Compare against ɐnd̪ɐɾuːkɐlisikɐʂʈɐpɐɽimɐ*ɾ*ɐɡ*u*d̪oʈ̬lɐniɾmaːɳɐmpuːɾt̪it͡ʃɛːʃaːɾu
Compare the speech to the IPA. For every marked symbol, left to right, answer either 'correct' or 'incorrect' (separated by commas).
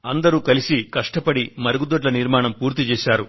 correct, correct